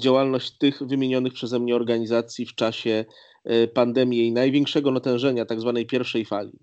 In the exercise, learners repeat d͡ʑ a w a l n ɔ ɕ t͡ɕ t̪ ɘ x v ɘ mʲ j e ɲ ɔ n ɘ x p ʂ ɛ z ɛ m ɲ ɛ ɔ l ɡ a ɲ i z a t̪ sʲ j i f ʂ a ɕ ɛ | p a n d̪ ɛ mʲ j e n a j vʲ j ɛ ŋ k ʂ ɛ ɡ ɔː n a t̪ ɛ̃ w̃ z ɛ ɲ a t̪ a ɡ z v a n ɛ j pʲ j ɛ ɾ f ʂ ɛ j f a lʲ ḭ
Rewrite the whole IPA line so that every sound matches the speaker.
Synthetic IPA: d͡ʑ a w a l n ɔ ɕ t͡ɕ t̪ ɘ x v ɘ mʲ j e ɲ ɔ n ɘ x p ʂ ɛ z ɛ m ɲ ɛ ɔ ɾ ɡ a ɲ i z a t̪ sʲ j i f t͡ʂ a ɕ ɛ | p a n d̪ ɛ mʲ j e n a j vʲ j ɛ ŋ k ʂ ɛ ɡ ɔ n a t̪ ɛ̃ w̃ ʐ ɛ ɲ a t̪ a ɡ z v a n ɛ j pʲ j ɛ ɾ f ʂ ɛ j f a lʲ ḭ